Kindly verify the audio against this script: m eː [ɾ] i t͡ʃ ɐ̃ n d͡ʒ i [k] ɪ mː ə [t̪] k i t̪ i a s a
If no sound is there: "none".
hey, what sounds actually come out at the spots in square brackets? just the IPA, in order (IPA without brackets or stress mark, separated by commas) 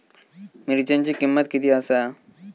ɾ, k, t̪